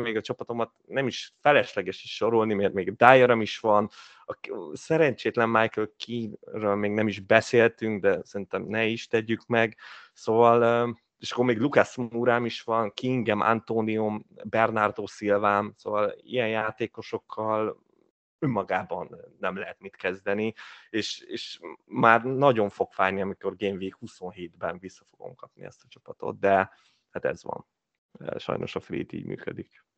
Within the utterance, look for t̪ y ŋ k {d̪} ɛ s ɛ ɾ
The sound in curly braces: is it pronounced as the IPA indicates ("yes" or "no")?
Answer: yes